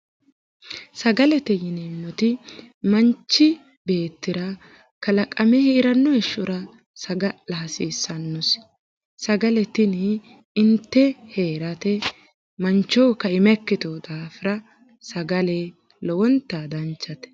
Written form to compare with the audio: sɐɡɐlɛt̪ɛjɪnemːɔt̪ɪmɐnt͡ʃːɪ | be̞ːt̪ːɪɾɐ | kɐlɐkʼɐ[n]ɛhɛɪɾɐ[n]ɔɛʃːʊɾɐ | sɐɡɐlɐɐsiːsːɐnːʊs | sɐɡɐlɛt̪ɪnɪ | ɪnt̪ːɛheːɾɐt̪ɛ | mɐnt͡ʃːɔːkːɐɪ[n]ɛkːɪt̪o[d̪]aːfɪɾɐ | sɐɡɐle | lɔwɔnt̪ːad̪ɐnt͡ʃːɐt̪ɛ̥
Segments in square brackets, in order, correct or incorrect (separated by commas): incorrect, incorrect, incorrect, correct